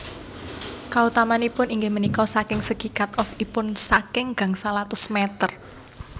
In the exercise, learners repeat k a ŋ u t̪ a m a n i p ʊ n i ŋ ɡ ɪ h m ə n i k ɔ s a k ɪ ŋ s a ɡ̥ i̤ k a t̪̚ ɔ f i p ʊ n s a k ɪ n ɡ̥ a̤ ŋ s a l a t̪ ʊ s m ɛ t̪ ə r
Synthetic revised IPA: k a u t̪ a m a n i p ʊ n i ŋ ɡ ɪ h m ə n i k ɔ s a k ɪ ŋ s ə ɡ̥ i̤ k a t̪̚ ɔ f i p ʊ n s a k ɪ ŋ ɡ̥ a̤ ŋ s a l a t̪ ʊ s m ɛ t̪ ə r